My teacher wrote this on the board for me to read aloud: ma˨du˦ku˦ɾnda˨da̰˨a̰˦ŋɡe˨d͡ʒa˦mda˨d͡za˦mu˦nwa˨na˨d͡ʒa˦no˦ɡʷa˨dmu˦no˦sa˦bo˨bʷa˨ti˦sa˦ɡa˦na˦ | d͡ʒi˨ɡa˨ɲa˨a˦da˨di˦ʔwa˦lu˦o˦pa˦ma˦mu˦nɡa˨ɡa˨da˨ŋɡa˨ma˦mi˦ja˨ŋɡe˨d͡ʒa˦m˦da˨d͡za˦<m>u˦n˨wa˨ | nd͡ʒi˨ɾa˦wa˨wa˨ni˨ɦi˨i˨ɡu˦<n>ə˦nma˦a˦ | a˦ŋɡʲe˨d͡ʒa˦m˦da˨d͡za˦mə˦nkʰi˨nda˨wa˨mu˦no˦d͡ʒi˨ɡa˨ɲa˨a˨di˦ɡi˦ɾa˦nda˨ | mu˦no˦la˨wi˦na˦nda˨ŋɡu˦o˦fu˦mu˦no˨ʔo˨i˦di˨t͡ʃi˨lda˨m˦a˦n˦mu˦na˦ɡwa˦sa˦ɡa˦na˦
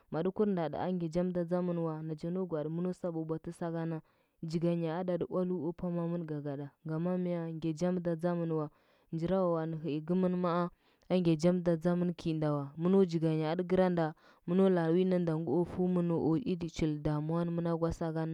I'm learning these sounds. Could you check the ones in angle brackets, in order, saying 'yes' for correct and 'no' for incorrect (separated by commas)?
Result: yes, no